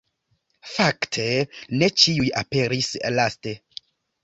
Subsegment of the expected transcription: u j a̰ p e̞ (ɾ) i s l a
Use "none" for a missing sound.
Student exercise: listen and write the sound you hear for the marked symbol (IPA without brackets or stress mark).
ɾ